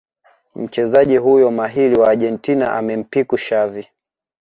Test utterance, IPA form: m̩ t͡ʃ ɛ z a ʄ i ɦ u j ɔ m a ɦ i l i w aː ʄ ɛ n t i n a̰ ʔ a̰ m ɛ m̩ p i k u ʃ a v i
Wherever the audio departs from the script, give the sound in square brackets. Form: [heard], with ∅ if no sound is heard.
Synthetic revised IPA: m̩ t͡ʃ ɛ z a ʄ i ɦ u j ɔ m a ɦ i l i w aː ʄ ɛ n t i n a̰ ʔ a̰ m ɛ m̩ p i k u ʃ a v i